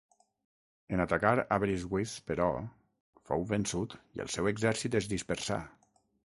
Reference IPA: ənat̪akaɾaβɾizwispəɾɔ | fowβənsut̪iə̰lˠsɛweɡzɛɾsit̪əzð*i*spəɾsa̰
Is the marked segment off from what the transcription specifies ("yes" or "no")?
no